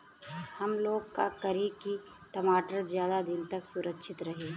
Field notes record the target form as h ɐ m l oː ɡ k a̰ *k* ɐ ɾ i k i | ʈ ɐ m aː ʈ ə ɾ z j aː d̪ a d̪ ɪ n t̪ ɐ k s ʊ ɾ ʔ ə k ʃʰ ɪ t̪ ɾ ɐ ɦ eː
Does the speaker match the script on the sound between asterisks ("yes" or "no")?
yes